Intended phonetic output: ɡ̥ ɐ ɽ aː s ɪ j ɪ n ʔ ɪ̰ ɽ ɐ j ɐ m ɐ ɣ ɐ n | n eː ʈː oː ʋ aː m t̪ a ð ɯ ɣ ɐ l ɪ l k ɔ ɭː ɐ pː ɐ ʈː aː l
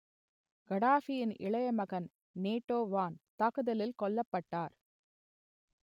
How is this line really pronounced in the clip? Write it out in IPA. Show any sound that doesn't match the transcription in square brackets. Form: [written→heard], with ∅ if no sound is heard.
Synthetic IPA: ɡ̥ ɐ ɽ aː [s→f] ɪ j ɪ n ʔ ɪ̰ [ɽ→ɭ] ɐ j ɐ m ɐ ɣ ɐ n | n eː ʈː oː ʋ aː [m→n] t̪ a [ð→ɣ] ɯ [ɣ→ð] ɐ l ɪ l k ɔ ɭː ɐ pː ɐ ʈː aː [l→ɾ]